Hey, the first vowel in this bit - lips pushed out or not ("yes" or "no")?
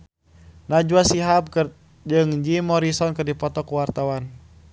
no